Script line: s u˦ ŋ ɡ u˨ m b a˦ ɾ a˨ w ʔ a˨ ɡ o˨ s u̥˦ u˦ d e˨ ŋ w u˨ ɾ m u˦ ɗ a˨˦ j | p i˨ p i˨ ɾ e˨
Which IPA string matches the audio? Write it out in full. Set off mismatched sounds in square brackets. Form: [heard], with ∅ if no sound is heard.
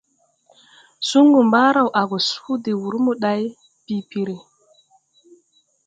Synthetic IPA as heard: s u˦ ŋ ɡ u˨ m b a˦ ɾ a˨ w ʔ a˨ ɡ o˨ s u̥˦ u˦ d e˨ [∅] w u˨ ɾ m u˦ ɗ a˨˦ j | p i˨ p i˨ ɾ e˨

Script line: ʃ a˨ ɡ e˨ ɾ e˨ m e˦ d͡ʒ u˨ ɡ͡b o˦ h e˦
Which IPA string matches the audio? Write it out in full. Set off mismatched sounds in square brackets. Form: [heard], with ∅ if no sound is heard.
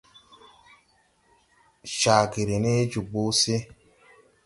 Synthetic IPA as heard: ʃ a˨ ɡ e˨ ɾ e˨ [n] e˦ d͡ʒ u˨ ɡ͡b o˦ [s] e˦

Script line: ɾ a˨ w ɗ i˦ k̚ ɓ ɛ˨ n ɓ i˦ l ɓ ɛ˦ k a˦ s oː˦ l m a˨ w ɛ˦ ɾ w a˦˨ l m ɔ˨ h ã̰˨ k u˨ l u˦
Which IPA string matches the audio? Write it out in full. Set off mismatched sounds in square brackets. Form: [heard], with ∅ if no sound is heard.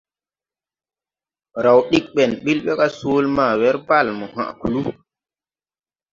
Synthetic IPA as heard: ɾ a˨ w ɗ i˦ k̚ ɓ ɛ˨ n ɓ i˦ l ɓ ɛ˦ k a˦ s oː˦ l m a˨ w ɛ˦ ɾ [b] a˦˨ l m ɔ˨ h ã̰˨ k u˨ l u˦

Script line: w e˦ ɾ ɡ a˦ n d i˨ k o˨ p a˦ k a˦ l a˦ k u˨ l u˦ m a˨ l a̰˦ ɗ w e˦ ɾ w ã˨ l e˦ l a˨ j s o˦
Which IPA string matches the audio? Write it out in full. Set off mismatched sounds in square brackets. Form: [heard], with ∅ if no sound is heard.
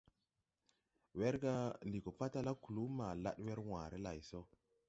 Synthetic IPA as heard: w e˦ ɾ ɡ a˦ n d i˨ k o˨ p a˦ [t] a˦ l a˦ k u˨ l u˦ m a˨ l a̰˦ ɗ w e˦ ɾ w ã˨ [ɾ] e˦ l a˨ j s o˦

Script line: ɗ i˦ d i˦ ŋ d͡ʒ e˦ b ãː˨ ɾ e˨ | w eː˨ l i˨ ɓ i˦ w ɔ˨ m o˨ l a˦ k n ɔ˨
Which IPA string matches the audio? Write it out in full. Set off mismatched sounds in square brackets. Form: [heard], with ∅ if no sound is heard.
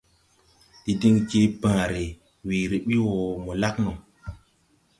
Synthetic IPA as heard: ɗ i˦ d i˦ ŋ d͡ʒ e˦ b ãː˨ ɾ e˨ | w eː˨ [ɾ] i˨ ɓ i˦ w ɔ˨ m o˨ l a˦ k n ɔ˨

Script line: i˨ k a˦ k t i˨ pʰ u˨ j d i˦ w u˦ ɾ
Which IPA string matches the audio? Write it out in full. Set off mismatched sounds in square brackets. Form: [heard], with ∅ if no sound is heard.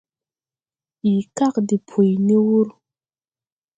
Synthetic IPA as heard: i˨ k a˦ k [d] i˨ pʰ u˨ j [n] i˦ w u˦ ɾ

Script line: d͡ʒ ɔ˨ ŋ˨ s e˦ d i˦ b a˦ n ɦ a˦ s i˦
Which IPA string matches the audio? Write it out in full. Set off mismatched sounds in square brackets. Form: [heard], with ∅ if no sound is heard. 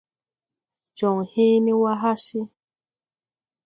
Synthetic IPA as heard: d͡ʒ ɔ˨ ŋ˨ [h] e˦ [n] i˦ [w] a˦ [∅] ɦ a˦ s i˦

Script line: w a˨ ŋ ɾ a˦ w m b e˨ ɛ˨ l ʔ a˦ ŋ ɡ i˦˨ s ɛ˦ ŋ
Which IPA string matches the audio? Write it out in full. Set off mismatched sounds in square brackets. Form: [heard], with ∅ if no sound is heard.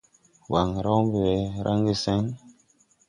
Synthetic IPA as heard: w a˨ ŋ ɾ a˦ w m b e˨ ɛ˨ [ɾ] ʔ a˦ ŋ ɡ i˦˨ s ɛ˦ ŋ

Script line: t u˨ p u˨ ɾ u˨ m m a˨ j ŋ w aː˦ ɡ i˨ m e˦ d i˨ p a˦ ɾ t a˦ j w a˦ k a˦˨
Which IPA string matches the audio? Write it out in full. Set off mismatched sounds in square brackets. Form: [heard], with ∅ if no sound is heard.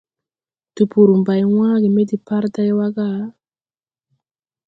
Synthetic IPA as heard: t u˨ p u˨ ɾ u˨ m [b] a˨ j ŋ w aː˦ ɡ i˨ m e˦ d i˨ p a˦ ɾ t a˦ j w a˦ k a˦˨

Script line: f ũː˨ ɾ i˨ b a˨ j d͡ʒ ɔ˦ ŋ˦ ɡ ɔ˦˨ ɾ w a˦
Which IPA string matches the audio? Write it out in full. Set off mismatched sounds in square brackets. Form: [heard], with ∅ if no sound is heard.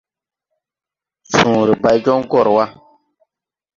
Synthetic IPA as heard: [s] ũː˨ ɾ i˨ b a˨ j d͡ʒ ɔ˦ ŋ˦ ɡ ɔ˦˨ ɾ w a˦

